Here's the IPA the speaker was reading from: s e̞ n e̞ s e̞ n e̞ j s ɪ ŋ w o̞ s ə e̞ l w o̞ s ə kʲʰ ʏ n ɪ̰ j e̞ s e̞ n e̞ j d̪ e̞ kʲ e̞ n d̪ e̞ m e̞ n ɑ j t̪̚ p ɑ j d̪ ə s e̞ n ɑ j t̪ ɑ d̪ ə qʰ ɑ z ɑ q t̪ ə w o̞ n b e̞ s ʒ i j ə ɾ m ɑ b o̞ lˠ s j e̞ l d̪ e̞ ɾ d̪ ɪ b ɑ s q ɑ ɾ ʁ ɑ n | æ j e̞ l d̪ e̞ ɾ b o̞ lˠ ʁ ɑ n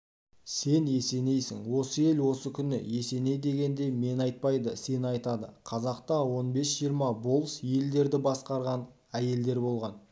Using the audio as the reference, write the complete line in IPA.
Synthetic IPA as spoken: s e̞ n e̞ s e̞ n e̞ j s ɪ ŋ w o̞ s ə e̞ l w o̞ s ə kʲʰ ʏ n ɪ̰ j e̞ s e̞ n e̞ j d̪ e̞ ɡʲ e̞ n d̪ e̞ m e̞ n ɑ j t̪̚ p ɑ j d̪ ə s e̞ n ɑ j t̪ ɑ d̪ ə qʰ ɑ z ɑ q t̪ ɑ w o̞ n b e̞ s ʒ i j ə ɾ m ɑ b o̞ lˠ s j e̞ l d̪ e̞ ɾ d̪ ɪ b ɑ s q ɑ ɾ ʁ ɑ n | æ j e̞ l d̪ e̞ ɾ b o̞ lˠ ʁ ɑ n